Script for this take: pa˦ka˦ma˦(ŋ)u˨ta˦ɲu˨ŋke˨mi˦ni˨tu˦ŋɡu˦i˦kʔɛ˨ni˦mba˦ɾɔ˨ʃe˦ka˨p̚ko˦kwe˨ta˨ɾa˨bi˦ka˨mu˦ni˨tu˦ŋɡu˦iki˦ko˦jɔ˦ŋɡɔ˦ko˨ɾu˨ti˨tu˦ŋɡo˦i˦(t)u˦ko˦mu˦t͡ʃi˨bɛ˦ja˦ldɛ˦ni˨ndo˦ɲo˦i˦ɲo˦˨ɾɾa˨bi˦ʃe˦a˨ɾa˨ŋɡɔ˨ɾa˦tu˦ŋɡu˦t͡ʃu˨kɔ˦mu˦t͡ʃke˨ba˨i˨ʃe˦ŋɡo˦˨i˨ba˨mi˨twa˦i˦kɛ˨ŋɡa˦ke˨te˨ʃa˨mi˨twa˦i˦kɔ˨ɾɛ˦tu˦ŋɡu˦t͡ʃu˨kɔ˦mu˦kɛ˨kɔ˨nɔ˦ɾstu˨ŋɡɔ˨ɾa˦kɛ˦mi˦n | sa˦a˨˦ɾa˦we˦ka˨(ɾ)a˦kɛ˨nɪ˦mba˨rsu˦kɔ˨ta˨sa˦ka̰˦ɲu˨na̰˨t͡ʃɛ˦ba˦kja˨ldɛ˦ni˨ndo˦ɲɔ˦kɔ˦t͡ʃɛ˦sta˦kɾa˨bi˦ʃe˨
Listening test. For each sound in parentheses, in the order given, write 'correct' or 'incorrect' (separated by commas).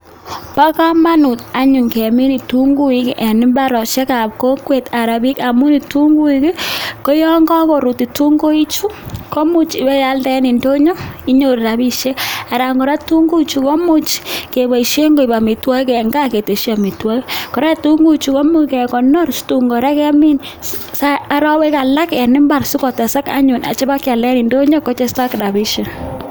incorrect, incorrect, incorrect